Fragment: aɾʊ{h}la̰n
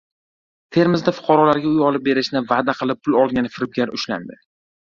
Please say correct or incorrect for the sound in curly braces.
incorrect